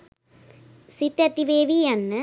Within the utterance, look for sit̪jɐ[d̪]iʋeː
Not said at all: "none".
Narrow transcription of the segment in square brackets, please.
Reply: t̪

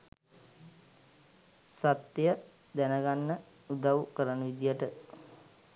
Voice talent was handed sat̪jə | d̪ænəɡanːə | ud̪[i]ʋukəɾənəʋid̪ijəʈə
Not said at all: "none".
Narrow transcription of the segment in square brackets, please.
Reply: a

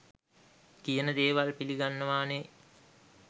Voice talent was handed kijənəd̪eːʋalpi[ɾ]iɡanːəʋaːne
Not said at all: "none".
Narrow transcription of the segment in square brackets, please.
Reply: l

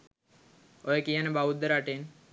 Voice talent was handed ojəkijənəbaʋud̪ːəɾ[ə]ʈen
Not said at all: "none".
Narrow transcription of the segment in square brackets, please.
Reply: a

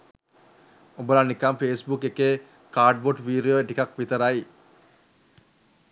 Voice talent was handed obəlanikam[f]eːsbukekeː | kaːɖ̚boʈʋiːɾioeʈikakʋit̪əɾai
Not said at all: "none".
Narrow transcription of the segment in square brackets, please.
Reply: f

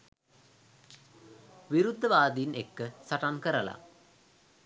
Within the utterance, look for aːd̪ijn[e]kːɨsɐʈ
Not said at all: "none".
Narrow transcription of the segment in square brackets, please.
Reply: e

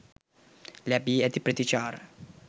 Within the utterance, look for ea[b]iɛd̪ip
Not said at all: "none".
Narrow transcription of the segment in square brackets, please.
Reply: b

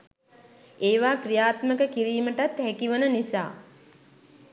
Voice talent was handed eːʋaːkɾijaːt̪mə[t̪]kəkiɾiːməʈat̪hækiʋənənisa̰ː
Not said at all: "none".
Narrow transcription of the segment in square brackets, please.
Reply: none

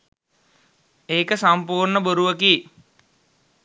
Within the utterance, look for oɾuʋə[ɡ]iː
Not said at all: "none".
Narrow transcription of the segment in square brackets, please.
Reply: k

